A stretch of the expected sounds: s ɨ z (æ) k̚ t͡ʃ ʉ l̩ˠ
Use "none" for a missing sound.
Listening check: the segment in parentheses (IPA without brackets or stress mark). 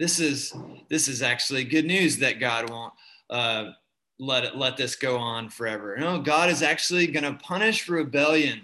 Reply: æ